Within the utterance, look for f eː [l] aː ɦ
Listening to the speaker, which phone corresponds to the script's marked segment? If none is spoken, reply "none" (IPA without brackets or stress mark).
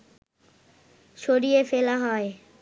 l